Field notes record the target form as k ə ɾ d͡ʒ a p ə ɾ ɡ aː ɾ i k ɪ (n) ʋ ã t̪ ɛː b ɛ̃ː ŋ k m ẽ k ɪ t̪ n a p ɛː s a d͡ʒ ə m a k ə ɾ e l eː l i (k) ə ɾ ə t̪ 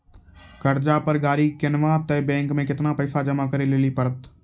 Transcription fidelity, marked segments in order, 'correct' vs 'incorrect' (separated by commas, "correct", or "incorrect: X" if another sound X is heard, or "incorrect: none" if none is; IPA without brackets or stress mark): correct, incorrect: p